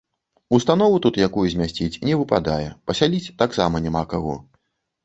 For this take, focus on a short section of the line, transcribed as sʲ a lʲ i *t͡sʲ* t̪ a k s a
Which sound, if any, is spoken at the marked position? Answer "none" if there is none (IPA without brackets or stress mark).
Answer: t͡sʲ